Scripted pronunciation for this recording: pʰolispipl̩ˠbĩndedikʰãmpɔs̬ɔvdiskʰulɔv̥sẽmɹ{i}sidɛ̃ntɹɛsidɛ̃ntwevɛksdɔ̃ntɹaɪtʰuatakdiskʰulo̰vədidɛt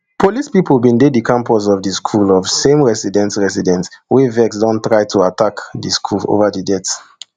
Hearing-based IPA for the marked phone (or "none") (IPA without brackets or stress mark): ɛ